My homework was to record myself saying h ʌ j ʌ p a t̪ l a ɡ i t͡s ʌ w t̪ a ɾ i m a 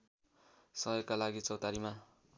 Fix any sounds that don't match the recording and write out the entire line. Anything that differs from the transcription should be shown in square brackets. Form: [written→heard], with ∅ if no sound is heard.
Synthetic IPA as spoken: [h→s] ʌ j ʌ [p→k] a [t̪→∅] l a ɡ i t͡s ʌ w t̪ a ɾ i m a